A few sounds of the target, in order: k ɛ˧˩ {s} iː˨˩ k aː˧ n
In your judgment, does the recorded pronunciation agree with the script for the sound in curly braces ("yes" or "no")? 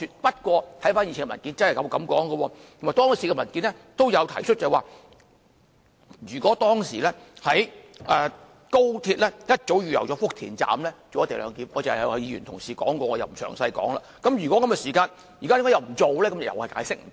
yes